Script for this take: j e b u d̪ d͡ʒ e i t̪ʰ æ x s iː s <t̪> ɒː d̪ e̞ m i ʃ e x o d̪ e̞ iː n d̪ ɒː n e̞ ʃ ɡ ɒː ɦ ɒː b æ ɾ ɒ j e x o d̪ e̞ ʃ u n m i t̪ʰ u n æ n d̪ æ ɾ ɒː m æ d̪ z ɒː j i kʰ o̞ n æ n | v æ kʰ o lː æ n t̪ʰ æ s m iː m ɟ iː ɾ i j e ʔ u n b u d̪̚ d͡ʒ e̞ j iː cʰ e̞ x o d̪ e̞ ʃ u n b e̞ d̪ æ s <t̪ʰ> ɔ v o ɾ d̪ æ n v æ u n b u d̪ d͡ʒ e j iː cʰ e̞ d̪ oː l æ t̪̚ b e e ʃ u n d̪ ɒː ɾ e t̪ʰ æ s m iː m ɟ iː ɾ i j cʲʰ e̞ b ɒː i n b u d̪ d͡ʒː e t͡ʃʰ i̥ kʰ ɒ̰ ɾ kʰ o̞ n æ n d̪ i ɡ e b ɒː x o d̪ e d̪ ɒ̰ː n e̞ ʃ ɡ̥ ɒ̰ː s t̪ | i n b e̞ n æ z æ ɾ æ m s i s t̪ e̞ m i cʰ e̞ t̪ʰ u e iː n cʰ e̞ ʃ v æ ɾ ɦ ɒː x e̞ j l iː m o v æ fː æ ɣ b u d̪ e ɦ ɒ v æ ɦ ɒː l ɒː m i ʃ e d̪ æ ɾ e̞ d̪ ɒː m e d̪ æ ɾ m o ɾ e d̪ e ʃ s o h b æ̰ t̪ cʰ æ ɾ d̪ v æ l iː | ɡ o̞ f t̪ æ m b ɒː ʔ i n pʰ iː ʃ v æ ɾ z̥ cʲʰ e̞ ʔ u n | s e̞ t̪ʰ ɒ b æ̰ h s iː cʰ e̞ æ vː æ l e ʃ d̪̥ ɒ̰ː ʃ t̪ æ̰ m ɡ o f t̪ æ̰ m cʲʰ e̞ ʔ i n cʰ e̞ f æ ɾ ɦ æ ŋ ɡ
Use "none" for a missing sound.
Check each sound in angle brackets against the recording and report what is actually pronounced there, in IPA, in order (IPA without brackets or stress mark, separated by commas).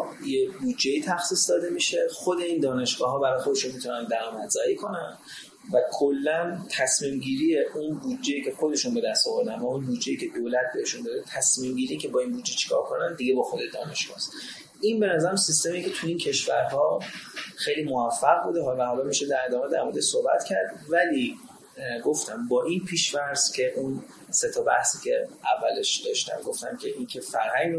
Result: d̪, t̪